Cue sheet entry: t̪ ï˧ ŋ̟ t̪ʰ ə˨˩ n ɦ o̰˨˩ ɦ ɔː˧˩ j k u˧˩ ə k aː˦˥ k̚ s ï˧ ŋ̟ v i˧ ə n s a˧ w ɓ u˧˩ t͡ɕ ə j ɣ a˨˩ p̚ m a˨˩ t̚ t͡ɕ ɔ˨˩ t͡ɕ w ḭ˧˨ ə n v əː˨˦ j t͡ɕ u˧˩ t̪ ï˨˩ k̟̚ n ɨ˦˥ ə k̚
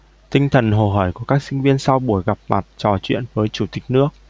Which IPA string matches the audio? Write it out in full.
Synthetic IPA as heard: t̪ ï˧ ŋ̟ t̪ʰ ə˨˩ n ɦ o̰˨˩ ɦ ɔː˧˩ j k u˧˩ ə k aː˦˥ k̚ s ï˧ ŋ̟ v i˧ ə n s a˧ w ɓ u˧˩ ə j ɣ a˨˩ p̚ m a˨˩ t̚ t͡ɕ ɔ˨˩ t͡ɕ w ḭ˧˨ ə n v əː˨˦ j t͡ɕ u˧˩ t̪ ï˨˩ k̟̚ n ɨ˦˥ ə k̚